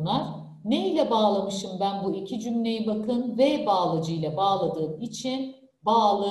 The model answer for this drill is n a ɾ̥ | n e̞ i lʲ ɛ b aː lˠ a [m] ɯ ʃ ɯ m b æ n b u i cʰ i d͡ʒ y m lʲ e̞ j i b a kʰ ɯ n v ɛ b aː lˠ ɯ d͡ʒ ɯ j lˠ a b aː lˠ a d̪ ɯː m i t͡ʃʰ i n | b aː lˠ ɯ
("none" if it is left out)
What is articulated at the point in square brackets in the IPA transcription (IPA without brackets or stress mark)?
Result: m